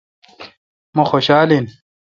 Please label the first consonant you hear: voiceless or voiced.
voiced